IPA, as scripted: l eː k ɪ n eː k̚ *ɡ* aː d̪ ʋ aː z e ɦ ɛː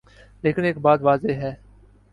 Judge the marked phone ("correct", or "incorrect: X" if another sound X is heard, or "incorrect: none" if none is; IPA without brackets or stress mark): incorrect: b